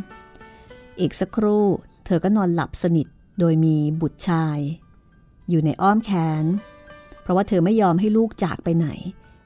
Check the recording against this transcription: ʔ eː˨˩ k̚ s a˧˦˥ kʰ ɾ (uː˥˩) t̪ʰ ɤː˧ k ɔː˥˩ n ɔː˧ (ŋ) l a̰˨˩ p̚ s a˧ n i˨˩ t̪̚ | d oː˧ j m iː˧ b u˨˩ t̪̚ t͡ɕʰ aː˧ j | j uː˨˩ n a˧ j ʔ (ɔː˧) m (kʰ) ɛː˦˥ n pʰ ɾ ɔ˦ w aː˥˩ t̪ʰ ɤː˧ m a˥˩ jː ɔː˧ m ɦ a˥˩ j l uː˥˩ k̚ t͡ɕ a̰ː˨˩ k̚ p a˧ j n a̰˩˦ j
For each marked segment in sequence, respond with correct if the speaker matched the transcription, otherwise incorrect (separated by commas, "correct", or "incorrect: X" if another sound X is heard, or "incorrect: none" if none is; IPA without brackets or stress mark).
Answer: correct, incorrect: n, incorrect: ɔː˥˩, correct